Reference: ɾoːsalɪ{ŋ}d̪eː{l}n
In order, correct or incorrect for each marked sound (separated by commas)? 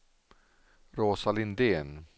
incorrect, incorrect